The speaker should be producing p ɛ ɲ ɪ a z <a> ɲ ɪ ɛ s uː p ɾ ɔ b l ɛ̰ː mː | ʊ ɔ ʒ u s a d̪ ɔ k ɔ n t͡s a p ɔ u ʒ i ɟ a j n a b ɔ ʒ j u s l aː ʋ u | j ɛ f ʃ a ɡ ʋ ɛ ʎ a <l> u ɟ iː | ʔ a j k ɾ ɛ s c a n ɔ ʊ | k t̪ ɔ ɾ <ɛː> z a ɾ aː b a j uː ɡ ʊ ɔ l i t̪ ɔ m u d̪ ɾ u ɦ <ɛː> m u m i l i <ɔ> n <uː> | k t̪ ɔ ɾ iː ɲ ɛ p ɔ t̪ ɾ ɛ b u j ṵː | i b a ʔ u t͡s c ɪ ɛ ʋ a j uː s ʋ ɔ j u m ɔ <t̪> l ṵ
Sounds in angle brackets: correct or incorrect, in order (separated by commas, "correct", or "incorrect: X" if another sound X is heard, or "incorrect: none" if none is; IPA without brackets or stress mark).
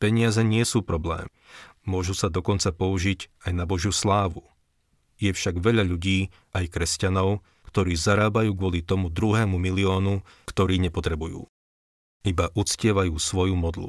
incorrect: ɛ, incorrect: ʎ, incorrect: iː, correct, incorrect: ɔː, incorrect: u, incorrect: d̪